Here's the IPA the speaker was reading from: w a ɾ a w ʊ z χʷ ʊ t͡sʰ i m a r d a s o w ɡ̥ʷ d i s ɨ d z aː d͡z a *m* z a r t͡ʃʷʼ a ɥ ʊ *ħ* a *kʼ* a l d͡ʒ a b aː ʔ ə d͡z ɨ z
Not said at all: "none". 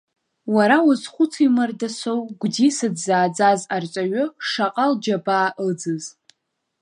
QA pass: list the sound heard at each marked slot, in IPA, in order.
none, ʂ, qʼ

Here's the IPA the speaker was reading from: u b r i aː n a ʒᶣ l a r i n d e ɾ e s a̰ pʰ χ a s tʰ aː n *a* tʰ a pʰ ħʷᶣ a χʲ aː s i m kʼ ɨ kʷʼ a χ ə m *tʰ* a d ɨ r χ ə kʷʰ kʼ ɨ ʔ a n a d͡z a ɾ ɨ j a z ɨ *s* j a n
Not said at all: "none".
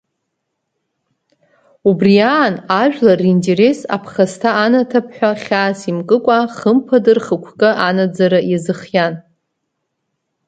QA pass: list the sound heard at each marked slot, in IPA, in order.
a, pʰ, χ

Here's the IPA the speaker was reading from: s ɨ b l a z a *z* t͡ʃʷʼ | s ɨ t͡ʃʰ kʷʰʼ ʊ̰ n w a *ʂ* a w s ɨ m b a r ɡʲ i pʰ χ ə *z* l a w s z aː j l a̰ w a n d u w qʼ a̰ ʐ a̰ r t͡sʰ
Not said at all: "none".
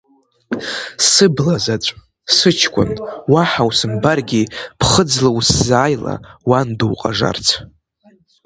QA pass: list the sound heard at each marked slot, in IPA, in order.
none, ħ, d͡z

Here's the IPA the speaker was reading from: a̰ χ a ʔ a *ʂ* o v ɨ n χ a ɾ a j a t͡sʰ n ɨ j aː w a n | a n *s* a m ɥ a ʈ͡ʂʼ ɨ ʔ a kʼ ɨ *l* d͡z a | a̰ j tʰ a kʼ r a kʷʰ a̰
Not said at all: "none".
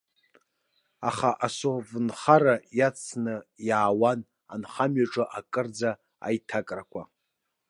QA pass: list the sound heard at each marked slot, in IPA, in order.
s, χ, r

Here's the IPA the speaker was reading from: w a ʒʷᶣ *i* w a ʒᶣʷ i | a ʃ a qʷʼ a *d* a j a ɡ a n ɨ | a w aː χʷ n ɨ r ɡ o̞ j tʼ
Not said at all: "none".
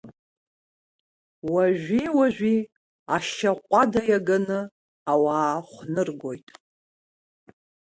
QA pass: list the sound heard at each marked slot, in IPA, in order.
i, d

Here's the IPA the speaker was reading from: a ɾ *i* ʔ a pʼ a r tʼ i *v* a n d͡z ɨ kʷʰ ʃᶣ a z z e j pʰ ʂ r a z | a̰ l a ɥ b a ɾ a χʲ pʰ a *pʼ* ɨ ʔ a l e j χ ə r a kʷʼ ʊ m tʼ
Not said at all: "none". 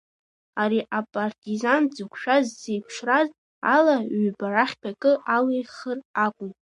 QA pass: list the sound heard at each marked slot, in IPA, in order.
i, z, kʼ

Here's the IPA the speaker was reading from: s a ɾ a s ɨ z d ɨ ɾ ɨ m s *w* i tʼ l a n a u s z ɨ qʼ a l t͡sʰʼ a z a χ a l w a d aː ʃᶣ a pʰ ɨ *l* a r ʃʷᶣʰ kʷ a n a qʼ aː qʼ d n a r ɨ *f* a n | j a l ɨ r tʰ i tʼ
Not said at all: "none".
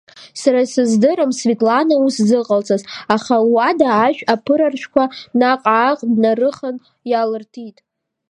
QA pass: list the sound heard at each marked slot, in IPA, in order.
v, ɾ, χ

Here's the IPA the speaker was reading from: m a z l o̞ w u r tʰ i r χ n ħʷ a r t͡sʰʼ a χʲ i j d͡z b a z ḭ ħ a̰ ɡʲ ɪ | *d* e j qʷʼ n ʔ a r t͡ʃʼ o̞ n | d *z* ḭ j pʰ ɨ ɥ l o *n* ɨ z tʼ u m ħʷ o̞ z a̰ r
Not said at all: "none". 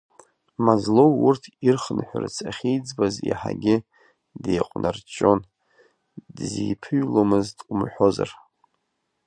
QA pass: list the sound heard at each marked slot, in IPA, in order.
d, z, m

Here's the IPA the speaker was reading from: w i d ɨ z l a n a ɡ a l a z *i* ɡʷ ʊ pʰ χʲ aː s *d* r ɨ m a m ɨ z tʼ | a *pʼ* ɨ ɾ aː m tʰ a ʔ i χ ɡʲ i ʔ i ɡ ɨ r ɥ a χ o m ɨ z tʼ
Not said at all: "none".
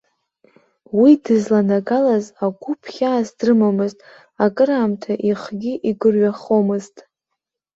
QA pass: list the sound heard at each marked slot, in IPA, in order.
a, d, kʼ

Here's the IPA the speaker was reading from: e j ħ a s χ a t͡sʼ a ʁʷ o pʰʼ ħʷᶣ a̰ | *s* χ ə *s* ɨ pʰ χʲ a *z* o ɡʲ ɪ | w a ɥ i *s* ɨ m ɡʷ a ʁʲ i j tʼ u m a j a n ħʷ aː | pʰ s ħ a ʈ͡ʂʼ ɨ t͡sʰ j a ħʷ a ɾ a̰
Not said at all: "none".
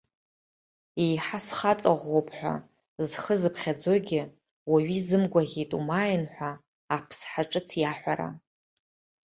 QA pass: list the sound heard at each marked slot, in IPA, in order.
z, z, d͡z, z

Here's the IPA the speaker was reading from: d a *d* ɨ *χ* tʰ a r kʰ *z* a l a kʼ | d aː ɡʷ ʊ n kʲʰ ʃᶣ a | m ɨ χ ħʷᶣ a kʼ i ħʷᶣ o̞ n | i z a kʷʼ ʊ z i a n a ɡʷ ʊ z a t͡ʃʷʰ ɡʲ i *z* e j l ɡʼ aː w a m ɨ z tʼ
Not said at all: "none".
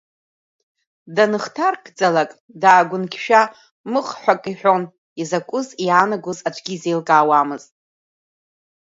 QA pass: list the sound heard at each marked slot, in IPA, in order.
n, χ, d͡z, z

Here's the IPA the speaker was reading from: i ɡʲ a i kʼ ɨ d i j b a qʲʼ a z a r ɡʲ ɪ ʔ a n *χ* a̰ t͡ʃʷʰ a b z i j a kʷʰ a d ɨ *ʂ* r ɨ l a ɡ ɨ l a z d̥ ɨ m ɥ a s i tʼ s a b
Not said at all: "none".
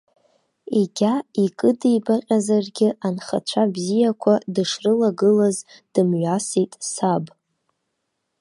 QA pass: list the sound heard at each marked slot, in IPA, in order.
χ, ʂ

